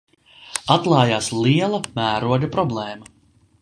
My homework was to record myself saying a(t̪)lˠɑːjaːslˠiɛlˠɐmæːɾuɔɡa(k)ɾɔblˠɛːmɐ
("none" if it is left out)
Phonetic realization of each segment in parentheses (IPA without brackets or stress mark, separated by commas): t̪, p